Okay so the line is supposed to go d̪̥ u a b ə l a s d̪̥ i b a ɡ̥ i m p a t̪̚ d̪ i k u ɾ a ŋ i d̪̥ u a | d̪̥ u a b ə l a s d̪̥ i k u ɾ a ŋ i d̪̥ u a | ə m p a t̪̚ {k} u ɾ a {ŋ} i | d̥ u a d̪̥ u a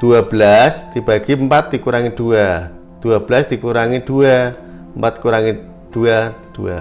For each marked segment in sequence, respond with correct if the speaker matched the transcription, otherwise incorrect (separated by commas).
correct, correct